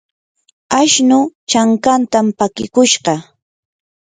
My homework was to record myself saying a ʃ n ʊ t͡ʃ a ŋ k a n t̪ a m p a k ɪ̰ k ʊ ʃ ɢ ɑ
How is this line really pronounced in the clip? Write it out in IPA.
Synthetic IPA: a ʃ n ʊ t͡ʃ a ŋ k a n t̪ a m p a k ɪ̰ k ʊ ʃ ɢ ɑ

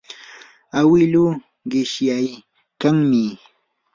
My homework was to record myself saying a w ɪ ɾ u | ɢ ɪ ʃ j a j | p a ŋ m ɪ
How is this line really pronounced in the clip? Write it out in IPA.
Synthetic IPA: a w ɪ l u | ɢ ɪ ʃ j a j | k a ŋ m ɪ

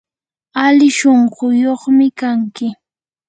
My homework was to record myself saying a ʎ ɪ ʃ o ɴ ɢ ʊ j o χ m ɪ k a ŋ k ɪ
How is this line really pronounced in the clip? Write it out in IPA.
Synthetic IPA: a l ɪ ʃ o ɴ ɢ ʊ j o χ m ɪ k a ŋ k ɪ

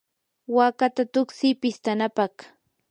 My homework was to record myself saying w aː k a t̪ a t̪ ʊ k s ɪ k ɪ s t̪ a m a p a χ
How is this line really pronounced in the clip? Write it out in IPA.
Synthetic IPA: w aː k a t̪ a t̪ ʊ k s ɪ p ɪ s t̪ a n a p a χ

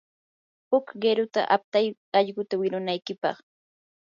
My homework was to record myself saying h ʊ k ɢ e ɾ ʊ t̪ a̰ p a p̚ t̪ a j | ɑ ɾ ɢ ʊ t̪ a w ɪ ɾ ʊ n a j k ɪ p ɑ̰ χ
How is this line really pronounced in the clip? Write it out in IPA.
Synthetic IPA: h ʊ k ɢ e ɾ ʊ t̪ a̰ ʔ a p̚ t̪ a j | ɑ ʎ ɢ ʊ t̪ a w ɪ ɾ ʊ n a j k ɪ p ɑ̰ χ

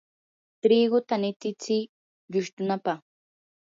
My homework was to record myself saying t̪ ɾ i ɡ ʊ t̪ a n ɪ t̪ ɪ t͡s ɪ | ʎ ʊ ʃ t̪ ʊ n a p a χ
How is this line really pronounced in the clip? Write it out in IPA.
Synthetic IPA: t̪ ɾ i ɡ ʊ t̪ a n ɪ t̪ ɪ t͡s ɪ | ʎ ʊ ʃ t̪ ʊ n a p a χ

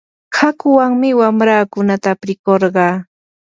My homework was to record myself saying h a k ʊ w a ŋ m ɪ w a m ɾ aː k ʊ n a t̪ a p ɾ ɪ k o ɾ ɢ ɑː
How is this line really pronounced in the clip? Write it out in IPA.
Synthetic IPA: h a k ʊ w a ŋ m ɪ w a m ɾ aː k ʊ n a t̪ a p ɾ ɪ k o ɾ ɢ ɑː

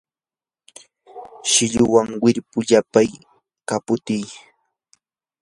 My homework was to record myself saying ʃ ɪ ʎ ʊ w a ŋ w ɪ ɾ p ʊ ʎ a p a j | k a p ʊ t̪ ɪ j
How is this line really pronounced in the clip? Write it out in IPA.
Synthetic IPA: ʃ ɪ ʎ ʊ w a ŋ w ɪ ɾ p ʊ ʎ a p a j | k a p ʊ t̪ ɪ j

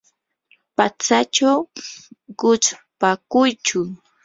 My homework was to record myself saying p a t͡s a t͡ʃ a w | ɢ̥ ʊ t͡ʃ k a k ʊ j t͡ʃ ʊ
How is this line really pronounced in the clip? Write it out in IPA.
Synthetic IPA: p a t͡s a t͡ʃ a w | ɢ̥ ʊ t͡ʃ p a k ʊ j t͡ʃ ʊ

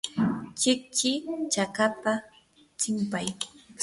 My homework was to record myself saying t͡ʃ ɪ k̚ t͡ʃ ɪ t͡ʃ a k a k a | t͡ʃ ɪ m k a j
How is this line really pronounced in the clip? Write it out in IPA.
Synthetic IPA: t͡ʃ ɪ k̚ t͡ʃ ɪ t͡ʃ a k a p a | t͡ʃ ɪ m p a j

